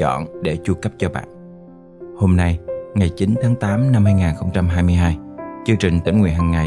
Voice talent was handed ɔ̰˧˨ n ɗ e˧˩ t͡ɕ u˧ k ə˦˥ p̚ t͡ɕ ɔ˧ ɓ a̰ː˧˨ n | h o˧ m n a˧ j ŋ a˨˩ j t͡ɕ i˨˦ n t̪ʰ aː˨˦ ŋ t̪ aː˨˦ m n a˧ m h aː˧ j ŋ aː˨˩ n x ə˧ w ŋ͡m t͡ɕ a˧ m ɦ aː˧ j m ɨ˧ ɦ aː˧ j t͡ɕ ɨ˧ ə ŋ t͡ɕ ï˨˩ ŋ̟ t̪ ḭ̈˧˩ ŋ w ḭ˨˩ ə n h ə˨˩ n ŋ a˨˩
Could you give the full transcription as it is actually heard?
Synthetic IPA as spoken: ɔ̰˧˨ n ɗ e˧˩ t͡ɕ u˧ k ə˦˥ p̚ t͡ɕ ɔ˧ ɓ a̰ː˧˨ n | h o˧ m n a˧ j ŋ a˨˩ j t͡ɕ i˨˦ n t̪ʰ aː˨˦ ŋ t̪ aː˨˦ m n a˧ m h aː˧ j ŋ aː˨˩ n x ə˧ w ŋ͡m t͡ɕ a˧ m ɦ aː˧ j m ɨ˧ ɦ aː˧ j t͡ɕ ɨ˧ ə ŋ t͡ɕ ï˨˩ ŋ̟ t̪ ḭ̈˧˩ ŋ w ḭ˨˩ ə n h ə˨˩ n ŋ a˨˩